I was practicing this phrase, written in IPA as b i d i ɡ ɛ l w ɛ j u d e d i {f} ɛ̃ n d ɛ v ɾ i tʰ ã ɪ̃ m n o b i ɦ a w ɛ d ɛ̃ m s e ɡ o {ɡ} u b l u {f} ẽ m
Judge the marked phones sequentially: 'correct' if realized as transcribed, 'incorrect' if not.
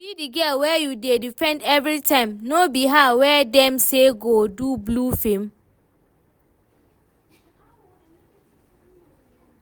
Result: correct, incorrect, correct

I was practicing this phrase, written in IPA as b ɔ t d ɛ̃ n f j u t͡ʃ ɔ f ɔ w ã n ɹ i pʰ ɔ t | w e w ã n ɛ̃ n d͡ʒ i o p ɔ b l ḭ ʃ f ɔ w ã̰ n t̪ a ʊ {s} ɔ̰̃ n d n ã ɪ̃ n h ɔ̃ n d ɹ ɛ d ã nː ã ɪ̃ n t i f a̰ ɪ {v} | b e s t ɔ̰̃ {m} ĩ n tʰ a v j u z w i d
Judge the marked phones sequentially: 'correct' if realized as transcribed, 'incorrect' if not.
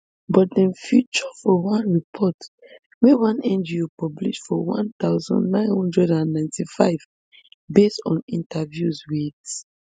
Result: incorrect, correct, incorrect

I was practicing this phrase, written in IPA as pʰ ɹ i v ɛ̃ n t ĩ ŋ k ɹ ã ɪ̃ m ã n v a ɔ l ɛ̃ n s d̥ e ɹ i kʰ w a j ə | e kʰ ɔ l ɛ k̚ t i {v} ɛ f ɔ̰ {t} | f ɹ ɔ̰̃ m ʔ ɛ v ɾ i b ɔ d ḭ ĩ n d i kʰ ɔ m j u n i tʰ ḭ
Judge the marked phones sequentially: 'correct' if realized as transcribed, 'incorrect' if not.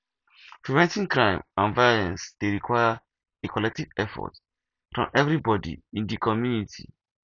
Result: correct, correct

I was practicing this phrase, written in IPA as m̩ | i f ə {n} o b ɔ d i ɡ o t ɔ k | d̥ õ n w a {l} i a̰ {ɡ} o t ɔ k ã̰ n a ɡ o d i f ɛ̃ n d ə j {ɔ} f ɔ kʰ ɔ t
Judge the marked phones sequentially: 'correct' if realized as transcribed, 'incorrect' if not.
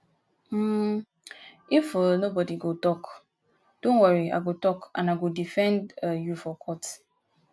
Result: correct, incorrect, correct, incorrect

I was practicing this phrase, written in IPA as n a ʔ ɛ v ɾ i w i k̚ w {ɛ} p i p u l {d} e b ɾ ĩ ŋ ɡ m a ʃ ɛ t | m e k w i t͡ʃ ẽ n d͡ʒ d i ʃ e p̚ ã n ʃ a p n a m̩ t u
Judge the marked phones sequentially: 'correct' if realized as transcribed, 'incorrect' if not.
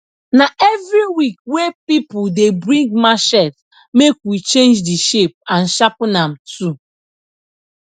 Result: incorrect, correct

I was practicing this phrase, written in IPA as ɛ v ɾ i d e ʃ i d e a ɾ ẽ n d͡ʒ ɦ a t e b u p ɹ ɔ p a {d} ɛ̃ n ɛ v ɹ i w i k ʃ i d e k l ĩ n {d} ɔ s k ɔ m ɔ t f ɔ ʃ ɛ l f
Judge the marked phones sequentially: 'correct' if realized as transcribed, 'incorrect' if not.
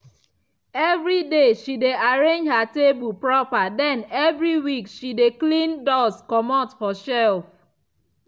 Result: correct, correct

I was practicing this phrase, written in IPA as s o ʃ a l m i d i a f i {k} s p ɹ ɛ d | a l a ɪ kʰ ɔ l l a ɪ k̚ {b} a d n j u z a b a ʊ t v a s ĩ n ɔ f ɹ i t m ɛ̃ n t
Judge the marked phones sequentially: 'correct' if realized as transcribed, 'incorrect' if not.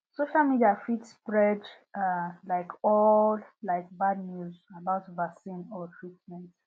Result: incorrect, correct

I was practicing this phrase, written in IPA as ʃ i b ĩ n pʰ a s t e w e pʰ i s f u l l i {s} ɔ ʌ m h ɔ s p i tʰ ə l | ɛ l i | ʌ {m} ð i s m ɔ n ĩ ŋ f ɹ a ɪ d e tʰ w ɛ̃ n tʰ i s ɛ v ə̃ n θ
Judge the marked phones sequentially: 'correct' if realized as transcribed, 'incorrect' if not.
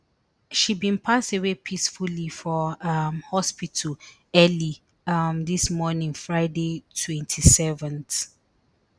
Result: incorrect, correct

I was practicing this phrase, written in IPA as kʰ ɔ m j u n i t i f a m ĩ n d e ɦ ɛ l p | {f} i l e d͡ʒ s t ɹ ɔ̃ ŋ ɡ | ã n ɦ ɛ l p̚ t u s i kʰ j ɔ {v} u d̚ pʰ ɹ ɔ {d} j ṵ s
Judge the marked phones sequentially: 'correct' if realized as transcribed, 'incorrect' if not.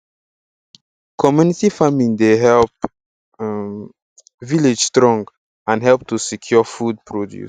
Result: incorrect, incorrect, correct

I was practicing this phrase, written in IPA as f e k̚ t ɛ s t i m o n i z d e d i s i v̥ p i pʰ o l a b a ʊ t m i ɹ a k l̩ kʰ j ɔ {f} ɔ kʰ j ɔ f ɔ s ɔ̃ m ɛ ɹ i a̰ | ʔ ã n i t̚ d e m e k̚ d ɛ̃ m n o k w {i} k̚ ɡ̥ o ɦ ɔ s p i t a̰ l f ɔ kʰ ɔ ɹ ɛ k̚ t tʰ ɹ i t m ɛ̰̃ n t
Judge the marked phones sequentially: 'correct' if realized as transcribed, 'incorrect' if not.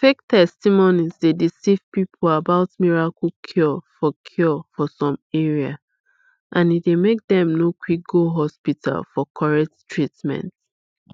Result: correct, correct

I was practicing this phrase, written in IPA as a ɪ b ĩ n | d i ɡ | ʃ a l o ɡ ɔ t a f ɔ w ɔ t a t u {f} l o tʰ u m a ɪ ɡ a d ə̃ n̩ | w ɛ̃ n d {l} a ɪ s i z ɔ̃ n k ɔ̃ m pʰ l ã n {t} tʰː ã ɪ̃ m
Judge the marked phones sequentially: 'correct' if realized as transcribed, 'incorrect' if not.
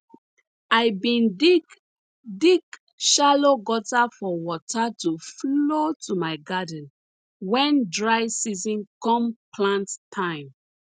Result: correct, incorrect, correct

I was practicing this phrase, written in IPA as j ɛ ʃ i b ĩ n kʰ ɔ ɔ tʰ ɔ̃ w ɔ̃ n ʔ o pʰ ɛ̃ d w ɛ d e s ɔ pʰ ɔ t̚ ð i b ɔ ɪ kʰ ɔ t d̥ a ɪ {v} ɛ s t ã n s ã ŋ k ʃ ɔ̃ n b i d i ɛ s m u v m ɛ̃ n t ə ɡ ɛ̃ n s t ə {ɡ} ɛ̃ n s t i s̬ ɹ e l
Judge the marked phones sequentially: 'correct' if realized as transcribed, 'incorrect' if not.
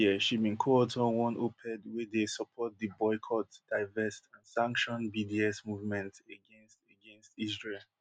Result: correct, correct

